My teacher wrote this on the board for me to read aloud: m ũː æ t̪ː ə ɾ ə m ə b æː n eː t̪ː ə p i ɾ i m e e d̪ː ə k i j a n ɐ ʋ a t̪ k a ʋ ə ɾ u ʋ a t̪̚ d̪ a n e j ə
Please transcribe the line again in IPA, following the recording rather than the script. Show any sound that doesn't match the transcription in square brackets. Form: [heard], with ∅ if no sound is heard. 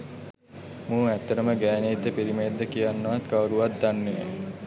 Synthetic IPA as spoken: m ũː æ t̪ː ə ɾ ə m ə [ɡ] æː n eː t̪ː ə p i ɾ i m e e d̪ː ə k i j a [nː] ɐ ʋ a t̪ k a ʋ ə ɾ u ʋ a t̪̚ d̪ a [nː] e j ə